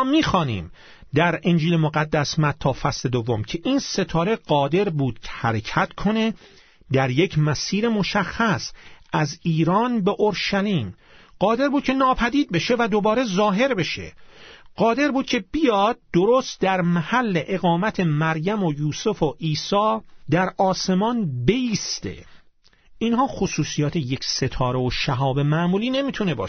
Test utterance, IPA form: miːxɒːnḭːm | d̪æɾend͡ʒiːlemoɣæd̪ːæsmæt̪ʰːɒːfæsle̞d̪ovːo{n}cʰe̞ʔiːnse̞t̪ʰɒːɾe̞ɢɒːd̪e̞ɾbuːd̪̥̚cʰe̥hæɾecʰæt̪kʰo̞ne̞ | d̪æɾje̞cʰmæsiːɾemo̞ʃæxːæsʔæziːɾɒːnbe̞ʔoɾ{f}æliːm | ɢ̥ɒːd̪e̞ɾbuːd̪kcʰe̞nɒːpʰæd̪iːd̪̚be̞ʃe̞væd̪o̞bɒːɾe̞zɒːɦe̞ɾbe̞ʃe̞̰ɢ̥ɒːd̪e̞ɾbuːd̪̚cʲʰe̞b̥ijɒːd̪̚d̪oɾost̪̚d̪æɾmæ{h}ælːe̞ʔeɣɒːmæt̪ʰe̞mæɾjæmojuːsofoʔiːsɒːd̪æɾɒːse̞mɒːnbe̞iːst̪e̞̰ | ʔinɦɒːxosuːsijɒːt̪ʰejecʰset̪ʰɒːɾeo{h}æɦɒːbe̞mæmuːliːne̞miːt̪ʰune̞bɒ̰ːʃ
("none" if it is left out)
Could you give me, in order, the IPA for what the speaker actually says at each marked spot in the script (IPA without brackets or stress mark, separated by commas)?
m, ʃ, h, ʃ